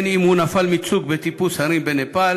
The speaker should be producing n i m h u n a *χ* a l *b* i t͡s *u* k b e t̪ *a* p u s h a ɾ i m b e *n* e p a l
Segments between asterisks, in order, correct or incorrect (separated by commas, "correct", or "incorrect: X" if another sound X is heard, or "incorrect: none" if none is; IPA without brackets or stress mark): incorrect: f, incorrect: m, correct, incorrect: i, correct